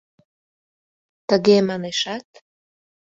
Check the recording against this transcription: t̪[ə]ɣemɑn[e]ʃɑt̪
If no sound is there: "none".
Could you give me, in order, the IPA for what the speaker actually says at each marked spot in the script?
ə, e

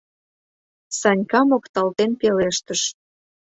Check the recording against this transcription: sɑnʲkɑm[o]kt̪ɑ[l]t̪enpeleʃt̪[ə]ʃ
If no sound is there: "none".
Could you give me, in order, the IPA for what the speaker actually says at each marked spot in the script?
o, l, ə

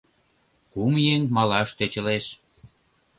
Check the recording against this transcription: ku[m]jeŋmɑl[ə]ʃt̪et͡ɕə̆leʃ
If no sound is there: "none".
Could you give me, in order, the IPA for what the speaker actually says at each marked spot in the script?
m, ɑ

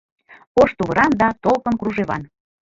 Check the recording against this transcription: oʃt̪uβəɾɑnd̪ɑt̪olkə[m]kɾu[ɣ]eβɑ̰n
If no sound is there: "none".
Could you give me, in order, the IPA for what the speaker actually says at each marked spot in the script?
n, ʒ

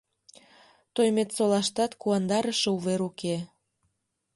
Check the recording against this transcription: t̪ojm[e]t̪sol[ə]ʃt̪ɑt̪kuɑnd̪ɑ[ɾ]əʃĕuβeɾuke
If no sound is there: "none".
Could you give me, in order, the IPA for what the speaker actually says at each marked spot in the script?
e, ɑ, ɾ

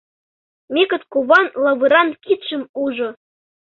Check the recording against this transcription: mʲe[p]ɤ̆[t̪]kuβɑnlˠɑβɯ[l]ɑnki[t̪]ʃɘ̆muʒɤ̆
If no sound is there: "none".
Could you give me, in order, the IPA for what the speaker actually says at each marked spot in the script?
k, t̪, ɾ, t̪

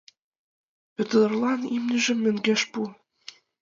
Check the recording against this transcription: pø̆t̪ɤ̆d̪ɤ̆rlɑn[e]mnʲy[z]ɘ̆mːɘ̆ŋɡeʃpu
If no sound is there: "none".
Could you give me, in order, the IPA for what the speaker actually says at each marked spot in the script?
i, ʒ

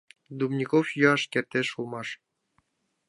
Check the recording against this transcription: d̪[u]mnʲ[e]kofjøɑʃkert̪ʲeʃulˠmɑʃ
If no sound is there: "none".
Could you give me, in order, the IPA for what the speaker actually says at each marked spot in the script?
u, i

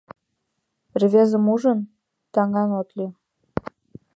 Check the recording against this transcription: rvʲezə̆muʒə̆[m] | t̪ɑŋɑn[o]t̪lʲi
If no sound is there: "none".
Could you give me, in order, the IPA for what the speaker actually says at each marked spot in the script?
n, o

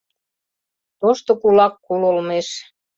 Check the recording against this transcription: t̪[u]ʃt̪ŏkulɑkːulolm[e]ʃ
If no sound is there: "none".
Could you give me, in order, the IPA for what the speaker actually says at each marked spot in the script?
o, e

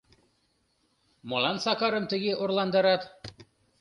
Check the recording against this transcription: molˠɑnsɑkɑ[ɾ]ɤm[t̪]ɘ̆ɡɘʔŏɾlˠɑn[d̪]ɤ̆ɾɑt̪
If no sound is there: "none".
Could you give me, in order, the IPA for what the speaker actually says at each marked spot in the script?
ɾ, t̪, d̪

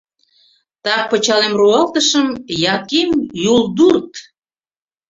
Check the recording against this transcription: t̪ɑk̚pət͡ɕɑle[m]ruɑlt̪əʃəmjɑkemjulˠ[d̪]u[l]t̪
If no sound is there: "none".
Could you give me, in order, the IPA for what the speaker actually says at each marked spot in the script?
m, d̪, r

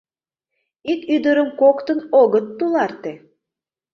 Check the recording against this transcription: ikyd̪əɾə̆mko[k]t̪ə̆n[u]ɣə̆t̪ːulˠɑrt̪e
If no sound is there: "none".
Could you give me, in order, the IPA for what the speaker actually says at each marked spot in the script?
k, o

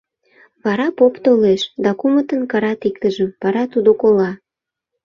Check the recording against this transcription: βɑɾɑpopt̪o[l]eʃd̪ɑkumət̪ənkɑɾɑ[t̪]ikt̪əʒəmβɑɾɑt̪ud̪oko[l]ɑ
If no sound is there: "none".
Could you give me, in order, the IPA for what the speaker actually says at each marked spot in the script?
l, t̪, l

